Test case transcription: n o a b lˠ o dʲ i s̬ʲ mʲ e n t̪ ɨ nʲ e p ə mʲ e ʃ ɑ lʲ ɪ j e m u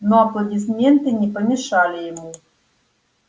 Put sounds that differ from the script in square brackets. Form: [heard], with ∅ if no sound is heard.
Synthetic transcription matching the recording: n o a [p] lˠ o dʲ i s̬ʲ mʲ e n t̪ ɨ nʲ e p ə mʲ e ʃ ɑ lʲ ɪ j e m u